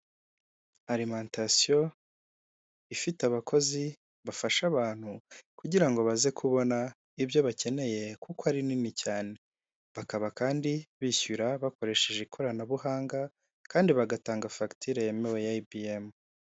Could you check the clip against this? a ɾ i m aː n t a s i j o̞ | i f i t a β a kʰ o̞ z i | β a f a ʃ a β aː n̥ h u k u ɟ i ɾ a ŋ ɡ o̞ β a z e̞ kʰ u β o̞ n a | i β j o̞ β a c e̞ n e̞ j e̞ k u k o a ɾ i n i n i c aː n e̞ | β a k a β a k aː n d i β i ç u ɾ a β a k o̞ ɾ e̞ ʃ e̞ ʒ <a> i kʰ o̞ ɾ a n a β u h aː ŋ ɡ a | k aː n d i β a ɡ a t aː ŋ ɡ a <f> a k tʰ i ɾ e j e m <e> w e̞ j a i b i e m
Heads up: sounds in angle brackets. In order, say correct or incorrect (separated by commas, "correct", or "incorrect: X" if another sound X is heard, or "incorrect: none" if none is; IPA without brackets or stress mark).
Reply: incorrect: e, correct, correct